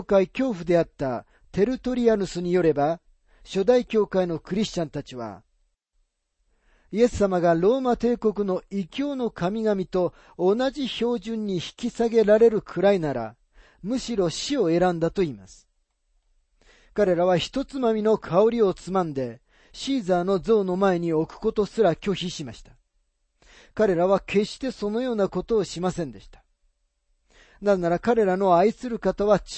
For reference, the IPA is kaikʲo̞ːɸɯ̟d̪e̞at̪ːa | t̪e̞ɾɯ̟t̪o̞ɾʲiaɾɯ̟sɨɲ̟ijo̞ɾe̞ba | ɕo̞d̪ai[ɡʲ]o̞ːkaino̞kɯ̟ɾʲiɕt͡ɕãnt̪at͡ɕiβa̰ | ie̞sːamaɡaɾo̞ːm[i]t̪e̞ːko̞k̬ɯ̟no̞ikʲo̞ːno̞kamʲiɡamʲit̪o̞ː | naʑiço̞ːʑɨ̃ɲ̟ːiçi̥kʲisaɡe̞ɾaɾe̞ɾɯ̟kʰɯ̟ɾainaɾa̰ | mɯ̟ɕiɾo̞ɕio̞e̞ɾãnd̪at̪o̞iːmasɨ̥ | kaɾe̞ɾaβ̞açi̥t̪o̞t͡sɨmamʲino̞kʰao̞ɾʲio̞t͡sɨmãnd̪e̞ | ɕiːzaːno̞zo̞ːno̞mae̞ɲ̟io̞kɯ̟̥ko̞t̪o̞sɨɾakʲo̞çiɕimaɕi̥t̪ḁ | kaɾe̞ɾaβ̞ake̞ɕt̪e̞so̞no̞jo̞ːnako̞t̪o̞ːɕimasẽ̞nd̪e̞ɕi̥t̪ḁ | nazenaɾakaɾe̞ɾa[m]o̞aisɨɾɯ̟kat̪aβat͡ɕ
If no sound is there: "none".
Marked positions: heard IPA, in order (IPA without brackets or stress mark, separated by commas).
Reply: kʲ, a, n